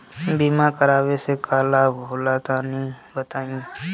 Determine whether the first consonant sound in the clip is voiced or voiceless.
voiced